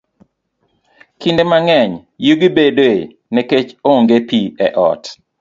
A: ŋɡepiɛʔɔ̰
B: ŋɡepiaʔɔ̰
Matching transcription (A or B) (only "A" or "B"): A